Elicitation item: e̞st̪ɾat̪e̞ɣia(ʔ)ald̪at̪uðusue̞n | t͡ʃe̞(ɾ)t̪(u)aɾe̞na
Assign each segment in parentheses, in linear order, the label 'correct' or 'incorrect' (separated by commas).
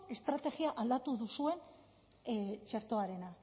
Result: correct, correct, incorrect